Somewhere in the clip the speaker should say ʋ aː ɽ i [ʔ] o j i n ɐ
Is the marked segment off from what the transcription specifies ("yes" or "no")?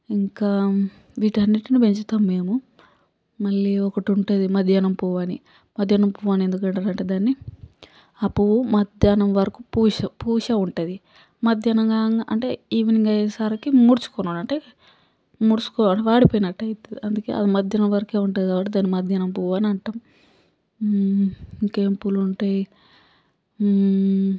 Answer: yes